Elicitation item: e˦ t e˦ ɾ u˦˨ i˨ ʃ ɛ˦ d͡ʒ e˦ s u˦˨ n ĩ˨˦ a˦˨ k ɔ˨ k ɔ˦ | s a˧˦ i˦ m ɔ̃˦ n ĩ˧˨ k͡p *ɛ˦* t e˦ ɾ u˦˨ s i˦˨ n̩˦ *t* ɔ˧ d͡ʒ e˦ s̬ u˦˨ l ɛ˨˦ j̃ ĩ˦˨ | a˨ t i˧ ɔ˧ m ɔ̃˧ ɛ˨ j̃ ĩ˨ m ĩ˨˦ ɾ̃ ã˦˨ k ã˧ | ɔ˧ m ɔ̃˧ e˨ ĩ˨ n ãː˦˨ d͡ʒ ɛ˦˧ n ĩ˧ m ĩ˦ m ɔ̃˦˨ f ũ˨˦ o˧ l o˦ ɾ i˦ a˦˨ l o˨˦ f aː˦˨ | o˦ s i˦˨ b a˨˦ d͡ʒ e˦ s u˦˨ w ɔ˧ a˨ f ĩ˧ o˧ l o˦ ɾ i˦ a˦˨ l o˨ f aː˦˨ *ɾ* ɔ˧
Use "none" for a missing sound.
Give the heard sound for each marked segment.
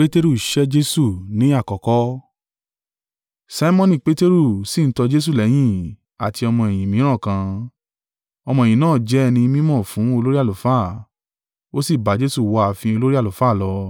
e˦, t, l

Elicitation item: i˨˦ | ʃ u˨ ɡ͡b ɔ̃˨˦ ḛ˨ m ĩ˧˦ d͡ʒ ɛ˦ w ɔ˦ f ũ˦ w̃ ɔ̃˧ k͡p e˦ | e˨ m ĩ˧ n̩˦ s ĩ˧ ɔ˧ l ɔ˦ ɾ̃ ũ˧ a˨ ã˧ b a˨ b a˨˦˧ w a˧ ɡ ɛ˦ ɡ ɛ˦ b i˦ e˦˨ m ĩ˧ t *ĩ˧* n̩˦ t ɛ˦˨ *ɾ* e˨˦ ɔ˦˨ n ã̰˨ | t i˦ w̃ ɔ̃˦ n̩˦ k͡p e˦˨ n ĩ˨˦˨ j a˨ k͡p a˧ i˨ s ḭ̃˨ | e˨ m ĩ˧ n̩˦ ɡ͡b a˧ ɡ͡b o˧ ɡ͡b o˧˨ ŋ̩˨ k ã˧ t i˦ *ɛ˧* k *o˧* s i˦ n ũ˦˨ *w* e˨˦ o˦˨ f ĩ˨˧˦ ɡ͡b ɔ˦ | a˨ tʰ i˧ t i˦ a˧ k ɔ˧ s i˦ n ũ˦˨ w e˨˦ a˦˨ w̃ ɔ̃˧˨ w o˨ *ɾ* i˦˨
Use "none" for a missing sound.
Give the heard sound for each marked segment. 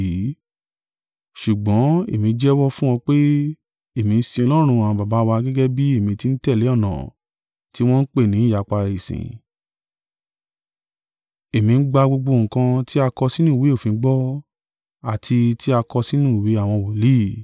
i˧, l, a˧, ɔ˧, w, l

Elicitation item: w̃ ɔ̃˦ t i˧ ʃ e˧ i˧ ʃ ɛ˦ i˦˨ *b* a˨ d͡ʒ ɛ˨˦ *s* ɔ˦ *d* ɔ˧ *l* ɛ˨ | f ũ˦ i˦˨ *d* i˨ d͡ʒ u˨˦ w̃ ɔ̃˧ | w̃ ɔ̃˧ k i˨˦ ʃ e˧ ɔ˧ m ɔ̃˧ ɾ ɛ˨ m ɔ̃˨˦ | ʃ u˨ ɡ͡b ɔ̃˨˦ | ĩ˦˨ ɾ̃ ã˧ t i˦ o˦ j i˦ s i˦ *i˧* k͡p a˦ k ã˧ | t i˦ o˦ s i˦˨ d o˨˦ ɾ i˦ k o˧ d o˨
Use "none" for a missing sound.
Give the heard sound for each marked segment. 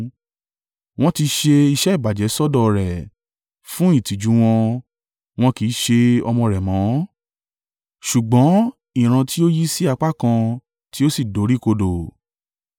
b, s, d, ɾ, t, a˧

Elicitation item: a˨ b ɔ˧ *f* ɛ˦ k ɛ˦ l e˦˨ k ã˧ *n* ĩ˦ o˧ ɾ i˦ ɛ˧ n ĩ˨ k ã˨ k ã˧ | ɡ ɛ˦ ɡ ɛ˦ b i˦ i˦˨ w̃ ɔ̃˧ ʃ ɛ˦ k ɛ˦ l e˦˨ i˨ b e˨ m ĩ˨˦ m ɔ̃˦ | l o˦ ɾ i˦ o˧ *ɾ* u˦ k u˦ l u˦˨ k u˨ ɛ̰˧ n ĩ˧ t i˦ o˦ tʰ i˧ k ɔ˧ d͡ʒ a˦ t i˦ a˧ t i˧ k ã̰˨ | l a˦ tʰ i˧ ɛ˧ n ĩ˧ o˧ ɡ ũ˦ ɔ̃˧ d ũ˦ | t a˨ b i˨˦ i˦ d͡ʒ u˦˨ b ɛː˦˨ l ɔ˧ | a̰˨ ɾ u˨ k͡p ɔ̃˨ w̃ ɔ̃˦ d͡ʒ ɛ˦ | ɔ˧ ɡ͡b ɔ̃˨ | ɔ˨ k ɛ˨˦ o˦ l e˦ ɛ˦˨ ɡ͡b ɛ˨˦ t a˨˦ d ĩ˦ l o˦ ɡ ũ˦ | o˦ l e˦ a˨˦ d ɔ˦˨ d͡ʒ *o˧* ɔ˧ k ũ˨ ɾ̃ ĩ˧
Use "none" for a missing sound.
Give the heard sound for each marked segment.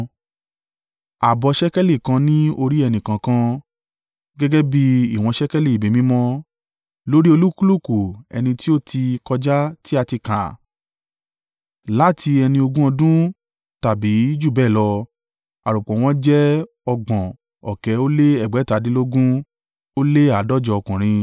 ʃ, n, l, ɔ˧

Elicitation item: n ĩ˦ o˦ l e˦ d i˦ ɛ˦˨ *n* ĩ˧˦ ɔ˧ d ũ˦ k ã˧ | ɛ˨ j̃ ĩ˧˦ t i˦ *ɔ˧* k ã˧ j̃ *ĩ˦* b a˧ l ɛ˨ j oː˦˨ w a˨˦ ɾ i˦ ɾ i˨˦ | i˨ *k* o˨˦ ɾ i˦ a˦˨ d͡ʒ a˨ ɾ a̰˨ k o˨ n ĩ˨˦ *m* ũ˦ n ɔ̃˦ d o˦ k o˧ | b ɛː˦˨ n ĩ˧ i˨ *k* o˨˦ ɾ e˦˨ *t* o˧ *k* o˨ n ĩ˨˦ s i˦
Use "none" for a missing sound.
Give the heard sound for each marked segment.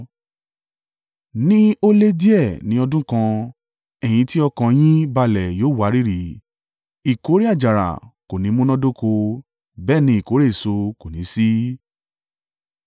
n, ɔ˧, ĩ˦, k, m, k, s, k

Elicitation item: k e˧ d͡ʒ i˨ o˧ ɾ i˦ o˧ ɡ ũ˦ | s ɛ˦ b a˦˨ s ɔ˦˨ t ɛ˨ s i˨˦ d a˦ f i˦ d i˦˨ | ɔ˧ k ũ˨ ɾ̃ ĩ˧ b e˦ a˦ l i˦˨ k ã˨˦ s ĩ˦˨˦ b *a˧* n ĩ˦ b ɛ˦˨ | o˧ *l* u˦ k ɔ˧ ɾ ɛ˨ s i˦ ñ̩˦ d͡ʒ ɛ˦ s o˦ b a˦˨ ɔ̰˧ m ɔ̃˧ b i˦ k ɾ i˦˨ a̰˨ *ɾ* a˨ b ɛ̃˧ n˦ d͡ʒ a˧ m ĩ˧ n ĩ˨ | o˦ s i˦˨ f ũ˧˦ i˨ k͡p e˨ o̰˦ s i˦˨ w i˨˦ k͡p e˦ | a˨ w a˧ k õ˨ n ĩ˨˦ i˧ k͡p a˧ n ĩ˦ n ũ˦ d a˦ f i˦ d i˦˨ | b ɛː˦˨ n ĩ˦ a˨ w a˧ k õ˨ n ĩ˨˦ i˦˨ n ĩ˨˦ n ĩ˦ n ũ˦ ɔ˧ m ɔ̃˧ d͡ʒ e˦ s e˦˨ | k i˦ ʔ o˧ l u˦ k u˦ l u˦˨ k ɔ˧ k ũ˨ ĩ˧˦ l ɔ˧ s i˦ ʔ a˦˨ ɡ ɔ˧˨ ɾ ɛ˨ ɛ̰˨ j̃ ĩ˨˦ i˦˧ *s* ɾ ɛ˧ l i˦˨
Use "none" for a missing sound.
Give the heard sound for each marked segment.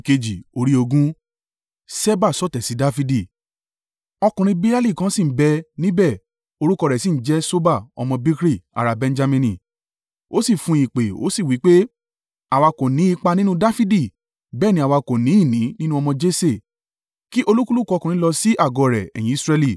ɛ˧, ɾ, ɾ, s

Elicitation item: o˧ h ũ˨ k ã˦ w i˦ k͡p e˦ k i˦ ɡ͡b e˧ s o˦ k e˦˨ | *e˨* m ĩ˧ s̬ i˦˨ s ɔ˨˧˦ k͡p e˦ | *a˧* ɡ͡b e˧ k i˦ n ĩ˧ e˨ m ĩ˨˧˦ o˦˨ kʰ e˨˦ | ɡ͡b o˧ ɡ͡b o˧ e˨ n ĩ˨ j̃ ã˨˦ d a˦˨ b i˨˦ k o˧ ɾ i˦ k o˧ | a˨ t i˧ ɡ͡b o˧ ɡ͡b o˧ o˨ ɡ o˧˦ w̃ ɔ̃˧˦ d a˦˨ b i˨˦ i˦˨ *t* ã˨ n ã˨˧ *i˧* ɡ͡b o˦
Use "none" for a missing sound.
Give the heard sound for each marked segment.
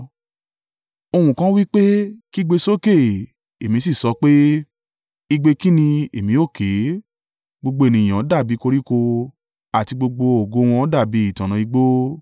e˨, i˧, t, i˧

